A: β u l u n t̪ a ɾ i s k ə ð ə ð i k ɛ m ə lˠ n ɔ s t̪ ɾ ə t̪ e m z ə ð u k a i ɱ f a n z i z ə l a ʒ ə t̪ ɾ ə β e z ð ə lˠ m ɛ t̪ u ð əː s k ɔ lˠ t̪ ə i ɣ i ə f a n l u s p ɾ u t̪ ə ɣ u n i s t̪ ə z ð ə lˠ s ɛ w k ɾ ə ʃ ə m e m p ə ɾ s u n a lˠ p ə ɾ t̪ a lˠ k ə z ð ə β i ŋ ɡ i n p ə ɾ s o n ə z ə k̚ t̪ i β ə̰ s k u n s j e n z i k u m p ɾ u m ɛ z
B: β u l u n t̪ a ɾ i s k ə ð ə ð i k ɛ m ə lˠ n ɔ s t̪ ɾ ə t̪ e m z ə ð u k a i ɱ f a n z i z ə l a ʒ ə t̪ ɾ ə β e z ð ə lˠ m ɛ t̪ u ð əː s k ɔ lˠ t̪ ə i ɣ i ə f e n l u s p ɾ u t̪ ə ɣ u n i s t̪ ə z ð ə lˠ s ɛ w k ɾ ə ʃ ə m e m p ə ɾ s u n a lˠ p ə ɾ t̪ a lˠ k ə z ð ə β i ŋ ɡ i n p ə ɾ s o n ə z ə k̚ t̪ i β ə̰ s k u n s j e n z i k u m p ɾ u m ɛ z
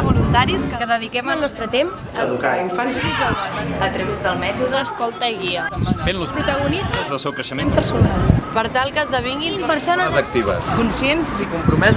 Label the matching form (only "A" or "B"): B